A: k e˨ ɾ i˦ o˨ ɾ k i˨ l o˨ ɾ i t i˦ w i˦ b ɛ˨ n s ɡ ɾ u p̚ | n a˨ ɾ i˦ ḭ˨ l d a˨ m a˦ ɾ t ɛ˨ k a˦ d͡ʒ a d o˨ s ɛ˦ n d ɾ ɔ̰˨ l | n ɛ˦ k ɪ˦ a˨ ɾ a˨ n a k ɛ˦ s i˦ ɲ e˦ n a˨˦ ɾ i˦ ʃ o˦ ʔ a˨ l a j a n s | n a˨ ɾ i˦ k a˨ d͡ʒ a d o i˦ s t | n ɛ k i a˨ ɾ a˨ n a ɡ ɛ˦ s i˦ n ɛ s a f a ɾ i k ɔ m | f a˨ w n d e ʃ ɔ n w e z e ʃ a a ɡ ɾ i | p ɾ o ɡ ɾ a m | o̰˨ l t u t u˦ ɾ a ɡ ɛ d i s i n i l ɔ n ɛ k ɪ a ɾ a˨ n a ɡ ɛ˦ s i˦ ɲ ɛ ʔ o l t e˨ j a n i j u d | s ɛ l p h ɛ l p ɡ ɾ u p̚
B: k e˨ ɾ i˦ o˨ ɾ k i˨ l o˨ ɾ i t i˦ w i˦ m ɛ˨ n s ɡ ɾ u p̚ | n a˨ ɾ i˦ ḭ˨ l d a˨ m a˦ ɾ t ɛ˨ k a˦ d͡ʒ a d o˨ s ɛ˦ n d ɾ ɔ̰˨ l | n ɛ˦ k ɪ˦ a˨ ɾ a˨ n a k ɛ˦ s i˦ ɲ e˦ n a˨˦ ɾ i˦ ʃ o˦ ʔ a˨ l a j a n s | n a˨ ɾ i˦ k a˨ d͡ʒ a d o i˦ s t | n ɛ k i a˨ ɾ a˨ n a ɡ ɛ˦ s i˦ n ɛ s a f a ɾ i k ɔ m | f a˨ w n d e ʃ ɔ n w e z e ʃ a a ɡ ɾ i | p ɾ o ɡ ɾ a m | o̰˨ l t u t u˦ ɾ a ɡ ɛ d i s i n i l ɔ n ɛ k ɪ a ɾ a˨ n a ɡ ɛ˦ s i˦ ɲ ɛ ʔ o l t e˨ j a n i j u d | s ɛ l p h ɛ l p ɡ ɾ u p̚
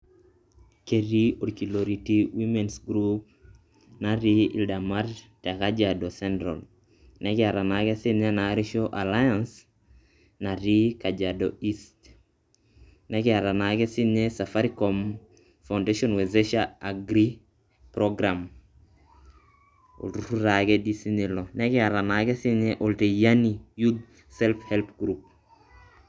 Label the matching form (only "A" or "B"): B